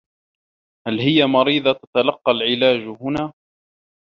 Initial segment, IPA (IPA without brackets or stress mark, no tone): h